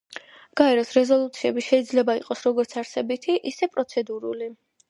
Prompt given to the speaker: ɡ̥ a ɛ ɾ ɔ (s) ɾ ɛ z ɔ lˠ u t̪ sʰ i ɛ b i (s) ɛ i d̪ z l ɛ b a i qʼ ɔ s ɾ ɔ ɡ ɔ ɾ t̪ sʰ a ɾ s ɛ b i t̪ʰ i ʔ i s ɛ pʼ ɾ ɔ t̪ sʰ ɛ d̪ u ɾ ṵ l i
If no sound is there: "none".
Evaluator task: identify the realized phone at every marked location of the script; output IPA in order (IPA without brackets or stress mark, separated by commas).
s, ʃ